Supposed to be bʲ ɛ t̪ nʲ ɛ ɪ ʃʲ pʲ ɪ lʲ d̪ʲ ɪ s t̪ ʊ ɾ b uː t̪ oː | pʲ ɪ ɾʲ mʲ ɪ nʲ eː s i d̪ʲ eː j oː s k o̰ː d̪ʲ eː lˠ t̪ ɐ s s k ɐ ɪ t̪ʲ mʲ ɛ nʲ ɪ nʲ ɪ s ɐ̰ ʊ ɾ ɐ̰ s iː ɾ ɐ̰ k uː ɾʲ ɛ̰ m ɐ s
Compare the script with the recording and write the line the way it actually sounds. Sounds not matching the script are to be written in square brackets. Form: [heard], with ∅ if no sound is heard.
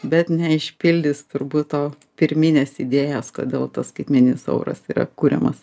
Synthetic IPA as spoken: bʲ ɛ t̪ nʲ ɛ ɪ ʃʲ pʲ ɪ lʲ d̪ʲ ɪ s t̪ ʊ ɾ b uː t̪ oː | pʲ ɪ ɾʲ mʲ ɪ nʲ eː s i d̪ʲ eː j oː s k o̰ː d̪ʲ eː lˠ t̪ ɐ s s k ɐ ɪ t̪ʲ mʲ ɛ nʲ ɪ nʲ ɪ s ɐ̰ ʊ ɾ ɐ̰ s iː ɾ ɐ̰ k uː ɾʲ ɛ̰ m ɐ s